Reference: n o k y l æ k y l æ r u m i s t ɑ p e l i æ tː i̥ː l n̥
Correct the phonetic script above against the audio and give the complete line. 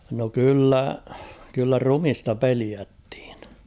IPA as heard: n o k y lː æ k y lː æ r u m i s t ɑ p e l i æ tː i̥ː n̥